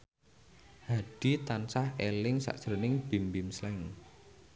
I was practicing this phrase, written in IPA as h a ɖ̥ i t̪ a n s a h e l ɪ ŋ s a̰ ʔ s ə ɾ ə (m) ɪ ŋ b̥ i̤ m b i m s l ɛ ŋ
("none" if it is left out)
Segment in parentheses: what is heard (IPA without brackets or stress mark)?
n